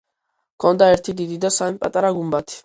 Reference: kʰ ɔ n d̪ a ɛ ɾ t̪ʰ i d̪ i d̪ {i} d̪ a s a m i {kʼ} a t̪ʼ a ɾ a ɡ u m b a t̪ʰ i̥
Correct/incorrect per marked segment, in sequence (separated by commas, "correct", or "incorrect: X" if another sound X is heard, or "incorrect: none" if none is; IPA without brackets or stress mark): correct, incorrect: pʼ